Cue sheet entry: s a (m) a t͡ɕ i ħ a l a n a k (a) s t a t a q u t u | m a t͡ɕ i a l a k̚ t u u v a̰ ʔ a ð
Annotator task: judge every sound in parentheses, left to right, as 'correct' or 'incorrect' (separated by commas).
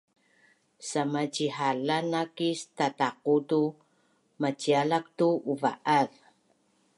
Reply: correct, incorrect